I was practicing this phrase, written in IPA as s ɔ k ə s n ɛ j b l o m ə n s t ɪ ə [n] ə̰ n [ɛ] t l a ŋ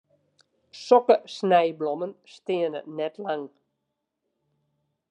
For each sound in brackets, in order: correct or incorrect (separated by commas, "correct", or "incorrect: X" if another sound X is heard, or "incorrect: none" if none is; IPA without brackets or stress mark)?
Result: correct, correct